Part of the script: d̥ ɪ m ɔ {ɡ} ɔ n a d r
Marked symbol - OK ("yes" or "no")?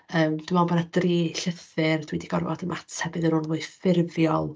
no